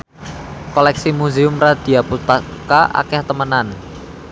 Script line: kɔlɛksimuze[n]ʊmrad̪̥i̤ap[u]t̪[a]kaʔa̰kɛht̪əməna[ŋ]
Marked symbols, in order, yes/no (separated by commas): no, yes, yes, no